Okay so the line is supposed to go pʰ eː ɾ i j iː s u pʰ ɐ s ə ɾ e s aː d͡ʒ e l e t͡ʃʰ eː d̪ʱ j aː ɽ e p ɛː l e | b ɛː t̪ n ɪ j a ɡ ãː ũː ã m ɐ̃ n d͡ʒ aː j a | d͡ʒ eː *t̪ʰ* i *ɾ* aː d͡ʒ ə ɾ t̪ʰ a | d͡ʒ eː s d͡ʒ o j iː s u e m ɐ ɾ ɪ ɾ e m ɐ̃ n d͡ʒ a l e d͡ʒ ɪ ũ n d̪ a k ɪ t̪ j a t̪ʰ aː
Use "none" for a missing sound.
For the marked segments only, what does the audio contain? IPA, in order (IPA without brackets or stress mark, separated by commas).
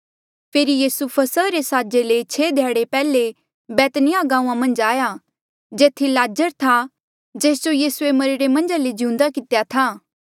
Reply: t̪ʰ, l